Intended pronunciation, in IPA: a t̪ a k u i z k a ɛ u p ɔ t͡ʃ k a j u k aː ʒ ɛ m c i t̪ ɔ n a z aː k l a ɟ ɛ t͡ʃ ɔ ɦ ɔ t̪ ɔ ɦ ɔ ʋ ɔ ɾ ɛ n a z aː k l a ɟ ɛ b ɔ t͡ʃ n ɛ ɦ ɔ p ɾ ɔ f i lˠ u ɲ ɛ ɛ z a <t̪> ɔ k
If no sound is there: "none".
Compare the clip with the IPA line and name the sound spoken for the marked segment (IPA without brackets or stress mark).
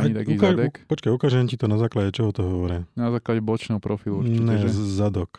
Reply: d̪